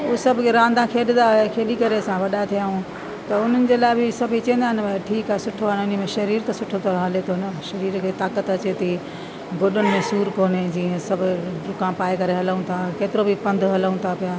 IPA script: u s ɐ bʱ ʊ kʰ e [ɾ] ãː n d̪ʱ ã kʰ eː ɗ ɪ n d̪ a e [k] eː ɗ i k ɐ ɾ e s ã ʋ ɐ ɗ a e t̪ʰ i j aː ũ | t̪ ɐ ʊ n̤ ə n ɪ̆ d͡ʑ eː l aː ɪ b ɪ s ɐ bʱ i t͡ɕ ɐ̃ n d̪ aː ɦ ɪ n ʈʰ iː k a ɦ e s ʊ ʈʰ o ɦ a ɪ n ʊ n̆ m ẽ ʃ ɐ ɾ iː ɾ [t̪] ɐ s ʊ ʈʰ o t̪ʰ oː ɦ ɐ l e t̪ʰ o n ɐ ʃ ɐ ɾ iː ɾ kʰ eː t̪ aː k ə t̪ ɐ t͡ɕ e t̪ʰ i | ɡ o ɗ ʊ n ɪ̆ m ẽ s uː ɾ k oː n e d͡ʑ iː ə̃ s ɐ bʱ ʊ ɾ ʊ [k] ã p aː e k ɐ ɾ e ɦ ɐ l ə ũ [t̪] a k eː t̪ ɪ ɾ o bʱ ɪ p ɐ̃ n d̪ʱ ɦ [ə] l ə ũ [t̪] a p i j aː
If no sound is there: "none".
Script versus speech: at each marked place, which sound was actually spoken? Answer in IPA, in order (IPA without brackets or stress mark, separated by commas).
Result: ɾ, kʰ, t̪, k, t̪ʰ, ɐ, t̪ʰ